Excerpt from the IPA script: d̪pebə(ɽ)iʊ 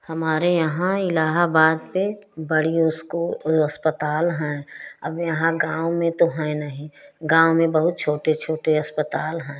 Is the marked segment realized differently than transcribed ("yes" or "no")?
no